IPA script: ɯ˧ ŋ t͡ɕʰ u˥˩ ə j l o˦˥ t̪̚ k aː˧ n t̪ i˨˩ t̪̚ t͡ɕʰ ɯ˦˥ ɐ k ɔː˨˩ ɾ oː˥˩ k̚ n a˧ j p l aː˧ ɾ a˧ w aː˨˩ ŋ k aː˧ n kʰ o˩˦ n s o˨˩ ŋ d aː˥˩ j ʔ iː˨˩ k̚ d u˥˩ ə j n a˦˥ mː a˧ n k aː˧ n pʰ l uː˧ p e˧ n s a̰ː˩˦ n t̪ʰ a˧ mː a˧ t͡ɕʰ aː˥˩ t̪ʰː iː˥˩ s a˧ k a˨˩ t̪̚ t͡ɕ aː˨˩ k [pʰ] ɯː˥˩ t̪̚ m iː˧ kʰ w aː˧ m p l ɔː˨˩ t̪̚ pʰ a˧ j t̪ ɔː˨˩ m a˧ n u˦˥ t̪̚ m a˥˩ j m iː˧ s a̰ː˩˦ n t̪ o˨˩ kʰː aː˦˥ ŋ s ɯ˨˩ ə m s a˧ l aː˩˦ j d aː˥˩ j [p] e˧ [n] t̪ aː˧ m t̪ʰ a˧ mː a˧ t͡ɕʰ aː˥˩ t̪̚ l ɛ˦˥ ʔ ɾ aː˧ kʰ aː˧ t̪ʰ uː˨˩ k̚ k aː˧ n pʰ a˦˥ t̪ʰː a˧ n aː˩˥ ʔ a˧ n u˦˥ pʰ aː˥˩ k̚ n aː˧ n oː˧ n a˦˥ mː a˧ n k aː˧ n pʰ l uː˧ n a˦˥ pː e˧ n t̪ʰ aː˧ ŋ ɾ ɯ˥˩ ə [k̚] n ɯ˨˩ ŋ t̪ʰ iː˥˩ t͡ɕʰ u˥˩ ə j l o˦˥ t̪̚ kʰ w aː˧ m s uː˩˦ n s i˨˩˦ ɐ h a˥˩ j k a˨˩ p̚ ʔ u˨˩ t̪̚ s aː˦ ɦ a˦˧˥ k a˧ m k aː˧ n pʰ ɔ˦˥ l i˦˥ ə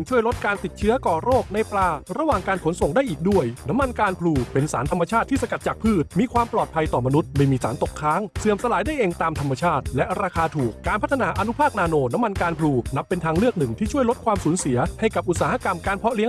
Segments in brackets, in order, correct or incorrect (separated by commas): correct, incorrect, incorrect, correct